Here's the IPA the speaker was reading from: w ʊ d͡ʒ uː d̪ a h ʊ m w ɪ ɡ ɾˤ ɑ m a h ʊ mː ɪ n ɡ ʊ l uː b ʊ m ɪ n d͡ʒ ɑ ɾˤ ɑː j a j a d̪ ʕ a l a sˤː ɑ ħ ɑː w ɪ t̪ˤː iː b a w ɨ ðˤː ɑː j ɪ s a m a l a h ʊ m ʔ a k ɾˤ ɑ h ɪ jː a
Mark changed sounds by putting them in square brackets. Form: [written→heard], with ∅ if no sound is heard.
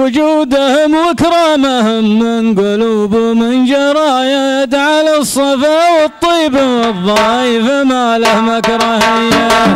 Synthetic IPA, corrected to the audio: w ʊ d͡ʒ uː d̪ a h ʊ m w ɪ [ɡ→k] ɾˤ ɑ m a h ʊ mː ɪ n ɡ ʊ l uː b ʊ m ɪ n d͡ʒ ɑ ɾˤ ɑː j a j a d̪ ʕ a l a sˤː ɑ [ħ→f] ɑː w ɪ t̪ˤː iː b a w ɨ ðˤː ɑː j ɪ [s→f] a m a l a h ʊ m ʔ a k ɾˤ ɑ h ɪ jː a

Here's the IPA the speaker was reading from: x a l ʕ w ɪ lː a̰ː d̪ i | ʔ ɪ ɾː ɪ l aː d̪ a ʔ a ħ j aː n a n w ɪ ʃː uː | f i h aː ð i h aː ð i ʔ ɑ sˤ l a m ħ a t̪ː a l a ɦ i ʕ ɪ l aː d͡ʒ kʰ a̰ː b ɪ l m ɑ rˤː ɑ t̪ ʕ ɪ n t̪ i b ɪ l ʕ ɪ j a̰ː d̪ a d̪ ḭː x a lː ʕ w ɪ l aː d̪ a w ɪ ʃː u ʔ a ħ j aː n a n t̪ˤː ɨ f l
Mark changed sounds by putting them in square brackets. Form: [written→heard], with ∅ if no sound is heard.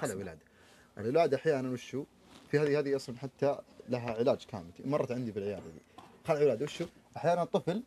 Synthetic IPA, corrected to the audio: x a l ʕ w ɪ [lː→l] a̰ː d̪ [i→a] | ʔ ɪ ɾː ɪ l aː d̪ a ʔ a ħ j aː n a n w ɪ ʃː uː | f i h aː ð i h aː ð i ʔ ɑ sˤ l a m ħ a t̪ː a l a ɦ [i→a] ʕ ɪ l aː d͡ʒ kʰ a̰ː [b→m] ɪ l m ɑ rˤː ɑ t̪ ʕ ɪ n [t̪→d̪] i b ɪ l ʕ ɪ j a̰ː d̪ a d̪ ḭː x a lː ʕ w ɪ l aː d̪ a w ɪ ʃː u ʔ a ħ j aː n a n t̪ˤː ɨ f l

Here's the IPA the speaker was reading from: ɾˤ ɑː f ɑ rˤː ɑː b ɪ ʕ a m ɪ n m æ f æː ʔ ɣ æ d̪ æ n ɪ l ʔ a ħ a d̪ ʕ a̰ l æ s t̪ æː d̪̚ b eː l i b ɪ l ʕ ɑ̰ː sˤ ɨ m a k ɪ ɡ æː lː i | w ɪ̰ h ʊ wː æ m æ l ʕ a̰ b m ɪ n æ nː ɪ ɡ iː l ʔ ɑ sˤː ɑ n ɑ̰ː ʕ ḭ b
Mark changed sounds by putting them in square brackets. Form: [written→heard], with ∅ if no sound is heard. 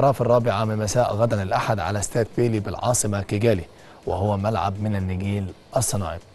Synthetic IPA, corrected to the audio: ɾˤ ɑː f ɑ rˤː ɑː b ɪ ʕ a m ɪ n m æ [f→s] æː ʔ ɣ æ d̪ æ n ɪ l ʔ a ħ a d̪ ʕ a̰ l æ s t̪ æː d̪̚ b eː l i b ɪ l ʕ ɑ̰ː sˤ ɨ m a k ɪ ɡ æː [lː→l] i | w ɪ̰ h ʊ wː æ m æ l ʕ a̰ b m ɪ n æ nː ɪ ɡ iː l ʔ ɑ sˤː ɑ n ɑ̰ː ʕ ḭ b

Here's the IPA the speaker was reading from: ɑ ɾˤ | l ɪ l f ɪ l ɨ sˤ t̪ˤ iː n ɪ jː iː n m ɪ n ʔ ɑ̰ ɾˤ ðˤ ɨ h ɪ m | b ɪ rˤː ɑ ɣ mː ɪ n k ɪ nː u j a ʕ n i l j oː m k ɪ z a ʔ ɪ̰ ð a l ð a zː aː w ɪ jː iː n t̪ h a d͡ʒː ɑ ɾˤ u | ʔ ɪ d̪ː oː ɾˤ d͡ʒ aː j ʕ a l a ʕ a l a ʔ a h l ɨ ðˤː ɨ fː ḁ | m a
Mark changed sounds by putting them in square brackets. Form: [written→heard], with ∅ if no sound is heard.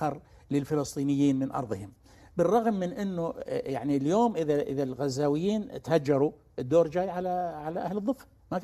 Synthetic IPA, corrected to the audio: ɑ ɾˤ | l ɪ l f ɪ l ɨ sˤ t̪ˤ iː n ɪ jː iː n m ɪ n ʔ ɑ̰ ɾˤ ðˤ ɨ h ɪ m | b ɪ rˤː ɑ ɣ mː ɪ n [k→ʔ] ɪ nː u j a ʕ n i l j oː m [k→ʔ] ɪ [z→ð] a ʔ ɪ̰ ð a l [ð→ɣ] a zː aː w ɪ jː iː n t̪ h a d͡ʒː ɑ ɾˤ u | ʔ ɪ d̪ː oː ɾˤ d͡ʒ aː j ʕ a l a ʕ a l a ʔ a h l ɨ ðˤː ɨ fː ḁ | m a

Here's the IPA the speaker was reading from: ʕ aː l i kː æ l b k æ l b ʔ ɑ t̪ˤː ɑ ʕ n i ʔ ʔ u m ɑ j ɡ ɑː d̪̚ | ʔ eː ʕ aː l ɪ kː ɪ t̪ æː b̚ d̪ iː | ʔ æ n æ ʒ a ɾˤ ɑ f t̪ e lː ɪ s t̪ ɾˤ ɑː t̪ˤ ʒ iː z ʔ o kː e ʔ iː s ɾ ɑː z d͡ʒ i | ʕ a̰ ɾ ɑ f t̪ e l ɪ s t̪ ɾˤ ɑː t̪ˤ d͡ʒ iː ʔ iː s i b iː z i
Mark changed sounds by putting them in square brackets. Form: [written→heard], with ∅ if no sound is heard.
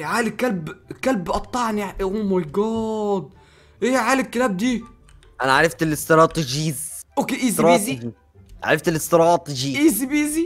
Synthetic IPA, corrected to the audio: ʕ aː l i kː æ l b k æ l b ʔ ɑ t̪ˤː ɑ ʕ n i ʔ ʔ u m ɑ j ɡ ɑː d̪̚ | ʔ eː ʕ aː l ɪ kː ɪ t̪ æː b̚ d̪ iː | ʔ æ n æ [ʒ→ʕ] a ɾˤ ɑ f t̪ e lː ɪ s t̪ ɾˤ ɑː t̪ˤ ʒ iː z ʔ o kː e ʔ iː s ɾ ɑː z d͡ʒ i | ʕ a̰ ɾ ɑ f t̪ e l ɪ s t̪ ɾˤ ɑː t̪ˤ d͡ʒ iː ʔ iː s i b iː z i

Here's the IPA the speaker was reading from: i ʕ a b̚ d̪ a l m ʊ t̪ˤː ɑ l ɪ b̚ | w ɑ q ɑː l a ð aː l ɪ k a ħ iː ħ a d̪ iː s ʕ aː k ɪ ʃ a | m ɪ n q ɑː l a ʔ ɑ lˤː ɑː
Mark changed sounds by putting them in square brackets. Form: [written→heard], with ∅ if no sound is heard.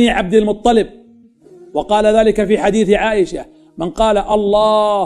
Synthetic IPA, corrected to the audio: i ʕ a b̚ d̪ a l m ʊ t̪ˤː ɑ l ɪ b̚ | w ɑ q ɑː l a ð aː l ɪ k a [ħ→f] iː ħ a d̪ iː [s→θ] ʕ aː [k→ʔ] ɪ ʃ a | m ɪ n q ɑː l a ʔ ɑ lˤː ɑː

